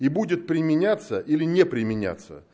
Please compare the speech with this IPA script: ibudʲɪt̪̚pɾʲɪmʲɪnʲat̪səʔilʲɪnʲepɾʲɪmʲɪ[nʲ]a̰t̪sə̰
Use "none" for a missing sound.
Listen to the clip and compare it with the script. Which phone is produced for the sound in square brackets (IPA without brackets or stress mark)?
nʲ